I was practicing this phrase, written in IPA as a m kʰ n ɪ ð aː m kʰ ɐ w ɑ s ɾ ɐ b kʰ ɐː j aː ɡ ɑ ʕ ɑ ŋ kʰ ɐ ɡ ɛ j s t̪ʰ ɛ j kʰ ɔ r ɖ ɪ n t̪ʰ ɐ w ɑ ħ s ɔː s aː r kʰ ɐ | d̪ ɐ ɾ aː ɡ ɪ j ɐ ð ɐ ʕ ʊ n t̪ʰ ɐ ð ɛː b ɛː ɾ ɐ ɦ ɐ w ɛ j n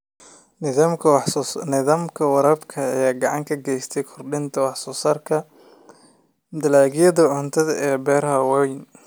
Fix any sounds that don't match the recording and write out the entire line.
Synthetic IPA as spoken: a m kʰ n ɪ ð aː m kʰ ɐ w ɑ ɾ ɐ b kʰ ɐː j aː ɡ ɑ ʕ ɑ ŋ kʰ ɐ ɡ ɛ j s t̪ʰ ɛ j kʰ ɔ r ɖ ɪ n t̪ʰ ɐ w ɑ ħ s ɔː s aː r kʰ ɐ | d̪ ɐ l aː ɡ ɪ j ɐ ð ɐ ʕ ʊ n t̪ʰ ɐ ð ɛː b ɛː ɾ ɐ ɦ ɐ w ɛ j n